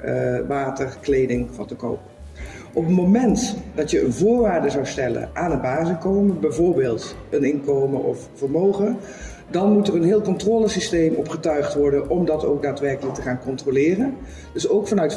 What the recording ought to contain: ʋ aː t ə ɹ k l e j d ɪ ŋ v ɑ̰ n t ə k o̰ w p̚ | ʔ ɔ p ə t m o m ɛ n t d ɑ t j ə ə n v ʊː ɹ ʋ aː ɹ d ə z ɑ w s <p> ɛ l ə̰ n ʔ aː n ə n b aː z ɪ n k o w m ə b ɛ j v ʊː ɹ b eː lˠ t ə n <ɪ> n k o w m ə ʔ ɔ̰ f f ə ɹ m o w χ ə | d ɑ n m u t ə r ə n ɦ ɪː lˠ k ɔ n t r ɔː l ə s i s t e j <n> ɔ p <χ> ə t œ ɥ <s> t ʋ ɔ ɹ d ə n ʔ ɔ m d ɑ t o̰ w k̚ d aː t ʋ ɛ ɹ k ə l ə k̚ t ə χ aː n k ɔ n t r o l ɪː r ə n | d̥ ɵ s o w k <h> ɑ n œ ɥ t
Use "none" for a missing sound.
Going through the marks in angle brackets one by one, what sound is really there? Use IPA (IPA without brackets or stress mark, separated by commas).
t, ɪ, m, χ, χ, f